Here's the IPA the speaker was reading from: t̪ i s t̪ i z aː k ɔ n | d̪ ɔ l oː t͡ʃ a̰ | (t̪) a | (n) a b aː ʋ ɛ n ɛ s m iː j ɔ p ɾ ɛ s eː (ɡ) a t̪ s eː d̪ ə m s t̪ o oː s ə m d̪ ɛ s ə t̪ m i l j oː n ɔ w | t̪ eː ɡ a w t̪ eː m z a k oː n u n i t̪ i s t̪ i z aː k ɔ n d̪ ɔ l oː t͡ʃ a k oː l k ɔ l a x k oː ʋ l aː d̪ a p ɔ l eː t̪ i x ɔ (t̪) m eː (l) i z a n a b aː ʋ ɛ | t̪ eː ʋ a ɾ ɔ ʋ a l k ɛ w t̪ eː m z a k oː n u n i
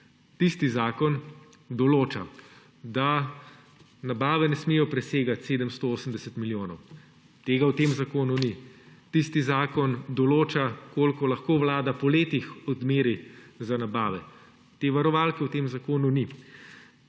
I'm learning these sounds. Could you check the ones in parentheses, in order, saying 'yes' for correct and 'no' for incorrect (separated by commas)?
no, yes, yes, no, no